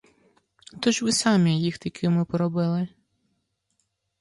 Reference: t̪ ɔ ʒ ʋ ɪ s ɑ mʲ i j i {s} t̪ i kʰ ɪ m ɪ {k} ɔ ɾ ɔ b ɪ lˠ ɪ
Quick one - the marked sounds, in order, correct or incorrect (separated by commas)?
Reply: incorrect, incorrect